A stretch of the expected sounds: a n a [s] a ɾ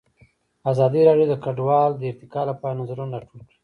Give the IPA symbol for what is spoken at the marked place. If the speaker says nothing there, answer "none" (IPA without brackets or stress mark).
z